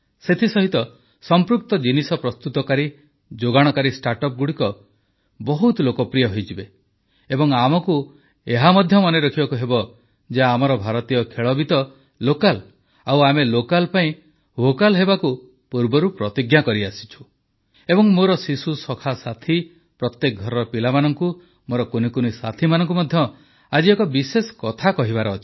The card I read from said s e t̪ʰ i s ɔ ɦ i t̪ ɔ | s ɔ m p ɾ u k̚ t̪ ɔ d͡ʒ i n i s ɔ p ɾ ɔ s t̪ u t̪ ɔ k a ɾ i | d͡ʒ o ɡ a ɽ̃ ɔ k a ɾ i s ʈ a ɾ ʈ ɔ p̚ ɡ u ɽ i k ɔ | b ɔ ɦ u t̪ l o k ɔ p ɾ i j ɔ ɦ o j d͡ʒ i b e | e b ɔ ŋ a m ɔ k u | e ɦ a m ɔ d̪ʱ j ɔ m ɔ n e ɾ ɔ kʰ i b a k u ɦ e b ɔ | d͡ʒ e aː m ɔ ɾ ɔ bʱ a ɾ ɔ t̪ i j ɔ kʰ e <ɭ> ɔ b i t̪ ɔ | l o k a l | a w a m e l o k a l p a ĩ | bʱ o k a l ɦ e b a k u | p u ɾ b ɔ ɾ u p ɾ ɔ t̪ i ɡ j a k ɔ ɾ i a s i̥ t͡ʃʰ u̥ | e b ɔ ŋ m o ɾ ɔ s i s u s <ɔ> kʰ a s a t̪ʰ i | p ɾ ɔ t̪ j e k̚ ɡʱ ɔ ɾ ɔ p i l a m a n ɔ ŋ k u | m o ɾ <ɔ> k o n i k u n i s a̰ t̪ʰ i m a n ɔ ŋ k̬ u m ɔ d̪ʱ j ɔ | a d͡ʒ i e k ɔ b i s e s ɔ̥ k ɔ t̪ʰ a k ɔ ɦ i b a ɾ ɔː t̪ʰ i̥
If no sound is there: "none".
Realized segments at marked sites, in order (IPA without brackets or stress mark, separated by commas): ɭ, ɔ, ɔ